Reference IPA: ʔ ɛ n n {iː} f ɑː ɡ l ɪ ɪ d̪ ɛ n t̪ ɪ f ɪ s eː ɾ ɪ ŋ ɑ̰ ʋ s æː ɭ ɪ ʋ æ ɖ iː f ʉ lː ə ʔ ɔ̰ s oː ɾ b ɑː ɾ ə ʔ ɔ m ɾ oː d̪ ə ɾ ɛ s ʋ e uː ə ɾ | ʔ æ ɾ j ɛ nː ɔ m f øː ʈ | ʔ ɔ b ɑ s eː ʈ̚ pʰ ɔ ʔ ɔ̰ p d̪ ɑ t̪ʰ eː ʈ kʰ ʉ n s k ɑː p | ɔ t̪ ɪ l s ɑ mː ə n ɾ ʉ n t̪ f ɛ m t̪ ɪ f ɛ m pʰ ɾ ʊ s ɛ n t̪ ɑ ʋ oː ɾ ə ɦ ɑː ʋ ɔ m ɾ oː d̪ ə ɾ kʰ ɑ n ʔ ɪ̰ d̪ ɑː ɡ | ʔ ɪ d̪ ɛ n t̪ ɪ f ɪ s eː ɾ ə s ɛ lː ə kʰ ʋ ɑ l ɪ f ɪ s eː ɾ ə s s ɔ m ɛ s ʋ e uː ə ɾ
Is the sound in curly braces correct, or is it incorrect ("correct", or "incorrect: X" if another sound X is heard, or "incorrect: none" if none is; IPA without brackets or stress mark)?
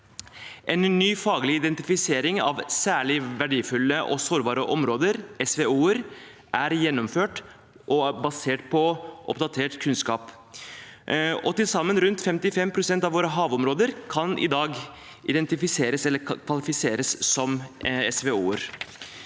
incorrect: yː